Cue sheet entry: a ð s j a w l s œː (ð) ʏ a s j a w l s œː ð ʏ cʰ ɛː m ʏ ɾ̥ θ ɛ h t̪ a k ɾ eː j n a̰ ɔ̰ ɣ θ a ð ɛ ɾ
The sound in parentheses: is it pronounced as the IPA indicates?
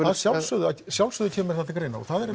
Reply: yes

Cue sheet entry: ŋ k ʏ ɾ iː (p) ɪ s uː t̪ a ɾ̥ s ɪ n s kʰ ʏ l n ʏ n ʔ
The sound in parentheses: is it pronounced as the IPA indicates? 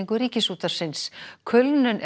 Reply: no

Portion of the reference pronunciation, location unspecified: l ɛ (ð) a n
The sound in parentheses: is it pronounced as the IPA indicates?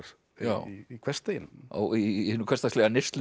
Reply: no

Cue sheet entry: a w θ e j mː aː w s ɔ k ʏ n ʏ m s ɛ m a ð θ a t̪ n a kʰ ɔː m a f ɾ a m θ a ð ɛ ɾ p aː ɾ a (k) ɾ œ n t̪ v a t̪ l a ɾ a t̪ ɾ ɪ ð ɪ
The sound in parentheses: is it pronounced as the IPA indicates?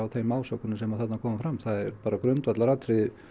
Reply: yes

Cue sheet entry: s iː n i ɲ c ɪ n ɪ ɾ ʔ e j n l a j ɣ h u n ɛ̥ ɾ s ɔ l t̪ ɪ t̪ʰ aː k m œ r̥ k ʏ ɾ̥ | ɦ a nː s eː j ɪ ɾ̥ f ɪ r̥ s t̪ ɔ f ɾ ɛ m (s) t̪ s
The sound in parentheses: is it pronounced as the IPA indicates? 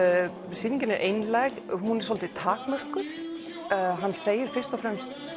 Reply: yes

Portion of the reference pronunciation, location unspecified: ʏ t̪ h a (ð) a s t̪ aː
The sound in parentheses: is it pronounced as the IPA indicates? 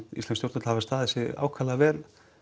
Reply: no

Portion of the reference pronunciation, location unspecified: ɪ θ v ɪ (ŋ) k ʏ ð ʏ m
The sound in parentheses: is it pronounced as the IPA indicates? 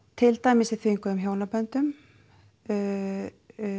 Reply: yes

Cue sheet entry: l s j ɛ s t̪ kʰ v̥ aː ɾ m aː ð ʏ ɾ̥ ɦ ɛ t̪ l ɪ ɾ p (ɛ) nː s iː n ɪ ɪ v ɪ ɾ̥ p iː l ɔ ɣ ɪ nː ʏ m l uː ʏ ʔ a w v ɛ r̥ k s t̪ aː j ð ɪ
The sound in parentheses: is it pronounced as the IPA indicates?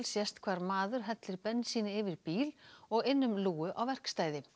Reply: yes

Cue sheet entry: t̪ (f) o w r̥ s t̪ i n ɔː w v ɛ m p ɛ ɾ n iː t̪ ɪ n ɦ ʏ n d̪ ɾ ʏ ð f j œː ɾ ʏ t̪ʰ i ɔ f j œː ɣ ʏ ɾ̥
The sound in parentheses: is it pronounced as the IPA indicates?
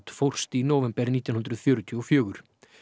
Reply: yes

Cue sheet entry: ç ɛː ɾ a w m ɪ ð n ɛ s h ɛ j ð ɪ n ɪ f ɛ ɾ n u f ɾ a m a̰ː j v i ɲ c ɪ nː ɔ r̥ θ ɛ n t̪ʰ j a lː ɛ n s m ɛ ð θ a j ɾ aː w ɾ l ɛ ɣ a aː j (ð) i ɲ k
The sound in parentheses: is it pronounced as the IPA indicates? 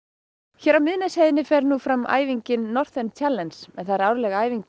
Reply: no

